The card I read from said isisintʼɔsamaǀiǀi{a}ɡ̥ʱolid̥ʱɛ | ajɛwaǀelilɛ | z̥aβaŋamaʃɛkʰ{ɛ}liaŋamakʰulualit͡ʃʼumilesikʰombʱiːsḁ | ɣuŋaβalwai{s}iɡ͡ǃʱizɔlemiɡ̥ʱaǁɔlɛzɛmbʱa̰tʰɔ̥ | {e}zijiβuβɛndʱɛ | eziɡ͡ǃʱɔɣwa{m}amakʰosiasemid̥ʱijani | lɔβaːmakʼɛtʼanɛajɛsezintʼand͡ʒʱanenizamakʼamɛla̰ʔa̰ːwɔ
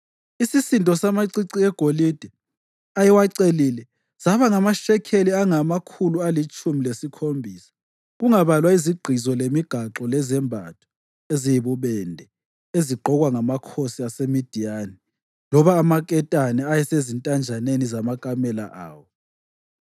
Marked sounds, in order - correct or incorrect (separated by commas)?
incorrect, incorrect, incorrect, correct, incorrect